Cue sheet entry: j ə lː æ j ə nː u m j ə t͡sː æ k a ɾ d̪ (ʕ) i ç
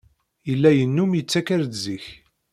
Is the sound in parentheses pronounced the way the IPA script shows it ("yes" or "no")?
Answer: no